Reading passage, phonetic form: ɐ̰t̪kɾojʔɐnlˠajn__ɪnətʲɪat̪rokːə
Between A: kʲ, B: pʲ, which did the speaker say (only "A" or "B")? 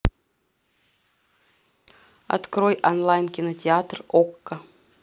A